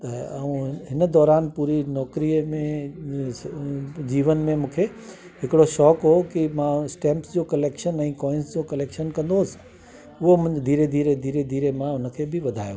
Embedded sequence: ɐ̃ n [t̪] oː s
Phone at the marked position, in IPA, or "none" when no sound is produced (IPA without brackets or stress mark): d̪